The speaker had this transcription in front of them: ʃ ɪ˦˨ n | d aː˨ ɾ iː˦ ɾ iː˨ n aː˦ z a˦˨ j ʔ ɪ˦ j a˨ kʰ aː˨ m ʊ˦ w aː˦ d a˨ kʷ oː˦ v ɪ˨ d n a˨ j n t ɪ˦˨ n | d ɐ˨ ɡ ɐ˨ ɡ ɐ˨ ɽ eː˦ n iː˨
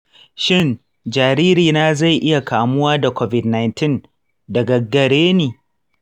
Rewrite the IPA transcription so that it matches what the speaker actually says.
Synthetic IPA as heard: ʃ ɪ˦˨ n | d͡ʒ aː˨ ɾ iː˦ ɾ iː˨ n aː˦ z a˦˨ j ʔ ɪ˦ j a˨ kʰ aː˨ m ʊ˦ w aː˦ d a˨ kʷ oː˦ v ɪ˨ d n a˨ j n t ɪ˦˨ n | d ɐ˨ ɡ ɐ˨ ɡ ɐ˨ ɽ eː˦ n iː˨